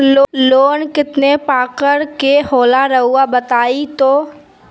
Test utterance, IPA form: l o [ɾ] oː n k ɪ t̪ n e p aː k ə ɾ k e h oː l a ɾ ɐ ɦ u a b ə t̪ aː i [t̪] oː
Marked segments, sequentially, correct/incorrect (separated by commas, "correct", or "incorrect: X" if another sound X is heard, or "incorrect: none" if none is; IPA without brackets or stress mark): incorrect: l, correct